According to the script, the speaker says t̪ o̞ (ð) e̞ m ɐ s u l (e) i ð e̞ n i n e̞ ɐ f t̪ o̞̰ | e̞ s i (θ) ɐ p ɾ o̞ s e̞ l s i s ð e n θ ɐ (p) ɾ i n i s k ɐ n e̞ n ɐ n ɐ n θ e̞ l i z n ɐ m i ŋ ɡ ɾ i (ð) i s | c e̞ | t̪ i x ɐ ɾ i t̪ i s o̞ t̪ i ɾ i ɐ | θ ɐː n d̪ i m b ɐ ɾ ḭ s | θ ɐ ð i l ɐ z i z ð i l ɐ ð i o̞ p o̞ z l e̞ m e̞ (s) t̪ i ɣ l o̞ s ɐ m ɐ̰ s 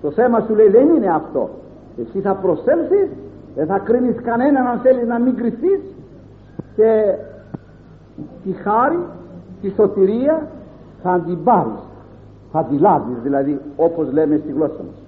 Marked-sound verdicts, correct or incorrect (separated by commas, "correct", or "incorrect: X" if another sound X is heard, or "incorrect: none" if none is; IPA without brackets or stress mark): incorrect: θ, correct, correct, incorrect: k, incorrect: θ, correct